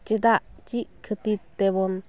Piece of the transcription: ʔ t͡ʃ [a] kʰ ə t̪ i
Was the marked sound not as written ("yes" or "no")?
yes